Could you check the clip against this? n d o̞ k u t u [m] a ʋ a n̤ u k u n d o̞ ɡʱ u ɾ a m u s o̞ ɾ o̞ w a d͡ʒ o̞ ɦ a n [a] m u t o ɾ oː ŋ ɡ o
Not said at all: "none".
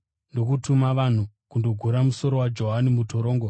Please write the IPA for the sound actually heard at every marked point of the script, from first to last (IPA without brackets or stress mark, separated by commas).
m, i